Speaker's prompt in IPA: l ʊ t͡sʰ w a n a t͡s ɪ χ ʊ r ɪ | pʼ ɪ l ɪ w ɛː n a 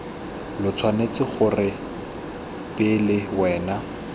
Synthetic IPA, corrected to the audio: l ʊ t͡sʰ w a n e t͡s ɪ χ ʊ r ɪ | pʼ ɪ l ɪ w ɛː n a

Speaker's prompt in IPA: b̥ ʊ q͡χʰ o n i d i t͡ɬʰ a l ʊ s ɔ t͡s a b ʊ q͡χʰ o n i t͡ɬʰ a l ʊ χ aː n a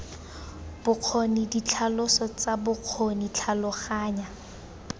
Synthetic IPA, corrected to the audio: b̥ ʊ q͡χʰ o n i d i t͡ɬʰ a l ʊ s ɔ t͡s a b ʊ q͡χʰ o n i t͡ɬʰ a l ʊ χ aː ɲ a

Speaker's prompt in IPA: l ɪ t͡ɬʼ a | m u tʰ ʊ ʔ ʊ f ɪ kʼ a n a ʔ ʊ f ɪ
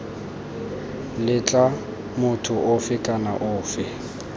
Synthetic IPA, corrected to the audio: l ɪ t͡ɬʼ a | m ʊ tʰ ʊ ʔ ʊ f ɪ kʼ a n a ʔ ʊː f ɪ

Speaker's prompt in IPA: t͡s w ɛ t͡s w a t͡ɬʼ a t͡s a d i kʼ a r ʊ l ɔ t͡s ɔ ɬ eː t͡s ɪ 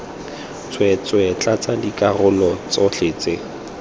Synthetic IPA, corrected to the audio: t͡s w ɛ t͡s w ɛ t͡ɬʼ a t͡s a d i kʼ a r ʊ l ɔ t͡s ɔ ɬ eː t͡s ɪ

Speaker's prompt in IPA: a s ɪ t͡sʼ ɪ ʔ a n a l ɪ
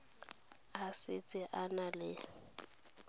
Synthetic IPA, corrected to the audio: a s ɪ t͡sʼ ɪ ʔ a n a l ɪ

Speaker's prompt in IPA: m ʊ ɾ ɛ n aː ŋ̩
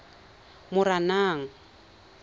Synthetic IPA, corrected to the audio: m ʊ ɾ a n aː ŋ̩

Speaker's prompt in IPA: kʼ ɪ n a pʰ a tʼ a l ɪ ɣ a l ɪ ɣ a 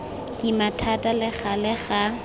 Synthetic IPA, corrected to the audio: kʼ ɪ m a tʰ a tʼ a l ɪ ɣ a l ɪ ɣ a

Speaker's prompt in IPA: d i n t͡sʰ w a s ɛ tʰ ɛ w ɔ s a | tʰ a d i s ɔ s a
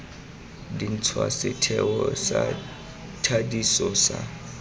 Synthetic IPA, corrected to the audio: d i n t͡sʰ w a s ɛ tʰ ɛ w ɔ s a | tʰ a d i s ɔ s a

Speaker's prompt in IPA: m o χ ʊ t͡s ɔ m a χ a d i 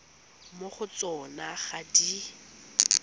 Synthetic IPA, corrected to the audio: m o χ ʊ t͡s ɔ n a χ a d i

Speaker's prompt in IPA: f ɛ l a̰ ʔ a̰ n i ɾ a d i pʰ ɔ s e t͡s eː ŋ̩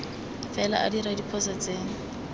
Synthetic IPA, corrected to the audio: f ɛ l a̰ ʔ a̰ d i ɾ a d i pʰ ɔ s a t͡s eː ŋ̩

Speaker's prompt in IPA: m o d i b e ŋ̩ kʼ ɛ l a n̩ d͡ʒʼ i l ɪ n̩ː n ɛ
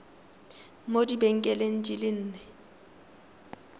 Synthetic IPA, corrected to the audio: m o d i b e ŋ̩ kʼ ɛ l e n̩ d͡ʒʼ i l ɪ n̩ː n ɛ

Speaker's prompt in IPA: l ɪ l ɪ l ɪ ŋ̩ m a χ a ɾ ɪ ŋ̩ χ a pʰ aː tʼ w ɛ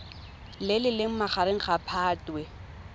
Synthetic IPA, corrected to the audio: l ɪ l ɪ l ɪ ŋ̩ m a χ a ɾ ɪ ŋ̩ χ a pʰ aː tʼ w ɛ

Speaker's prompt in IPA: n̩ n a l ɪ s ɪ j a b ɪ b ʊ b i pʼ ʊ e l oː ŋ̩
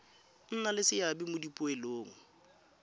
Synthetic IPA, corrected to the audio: n̩ n a l ɪ s ɪ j a b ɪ m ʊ d i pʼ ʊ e l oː ŋ̩

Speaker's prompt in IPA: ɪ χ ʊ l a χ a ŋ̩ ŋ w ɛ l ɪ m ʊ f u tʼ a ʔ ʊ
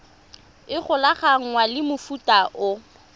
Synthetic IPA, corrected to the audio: ɪ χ ʊ l a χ a ŋ̩ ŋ w a l ɪ m ʊ f u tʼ a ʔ ʊ

